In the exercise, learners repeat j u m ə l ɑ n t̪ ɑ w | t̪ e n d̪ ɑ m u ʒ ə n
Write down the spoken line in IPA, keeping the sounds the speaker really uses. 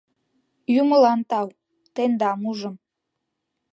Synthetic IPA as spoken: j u m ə l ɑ n t̪ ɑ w | t̪ e n d̪ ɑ m u ʒ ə m